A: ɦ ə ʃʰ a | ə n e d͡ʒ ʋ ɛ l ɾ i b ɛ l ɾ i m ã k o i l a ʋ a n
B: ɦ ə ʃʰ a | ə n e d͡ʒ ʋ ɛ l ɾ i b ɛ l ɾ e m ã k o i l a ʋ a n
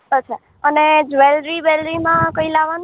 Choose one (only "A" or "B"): A